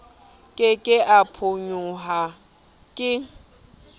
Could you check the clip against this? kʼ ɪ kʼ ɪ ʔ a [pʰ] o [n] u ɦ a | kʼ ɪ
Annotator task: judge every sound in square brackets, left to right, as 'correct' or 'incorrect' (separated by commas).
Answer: correct, incorrect